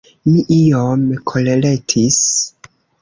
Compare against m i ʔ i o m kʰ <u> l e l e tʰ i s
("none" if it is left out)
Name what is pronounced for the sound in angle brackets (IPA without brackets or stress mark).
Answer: o